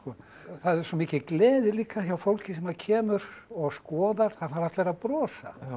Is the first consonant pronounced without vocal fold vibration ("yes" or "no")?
yes